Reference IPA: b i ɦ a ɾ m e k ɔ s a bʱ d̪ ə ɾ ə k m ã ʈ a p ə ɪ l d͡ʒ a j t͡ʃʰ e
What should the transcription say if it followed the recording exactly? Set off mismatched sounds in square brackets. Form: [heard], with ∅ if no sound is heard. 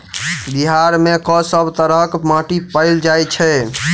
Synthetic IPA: b i ɦ a ɾ m e k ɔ s [ə] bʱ [t̪] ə ɾ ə k m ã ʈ [i] p ə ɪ l d͡ʒ a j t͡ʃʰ [ɛ]